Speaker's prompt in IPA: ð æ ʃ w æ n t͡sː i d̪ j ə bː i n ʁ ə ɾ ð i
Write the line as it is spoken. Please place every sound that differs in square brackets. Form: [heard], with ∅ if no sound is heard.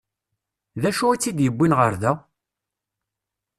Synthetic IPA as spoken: ð æ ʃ [u] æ [∅] t͡sː i d̪ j ə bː i n ʁ ə ɾ ð [æ]